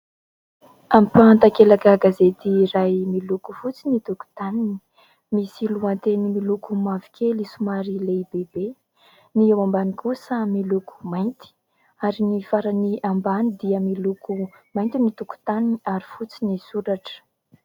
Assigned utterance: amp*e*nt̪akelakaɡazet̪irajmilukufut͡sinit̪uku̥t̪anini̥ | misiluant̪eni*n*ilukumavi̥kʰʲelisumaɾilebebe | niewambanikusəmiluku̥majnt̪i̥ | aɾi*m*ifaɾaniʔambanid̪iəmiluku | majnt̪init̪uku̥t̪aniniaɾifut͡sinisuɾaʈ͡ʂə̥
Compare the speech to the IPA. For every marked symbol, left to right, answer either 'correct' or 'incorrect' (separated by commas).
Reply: incorrect, incorrect, incorrect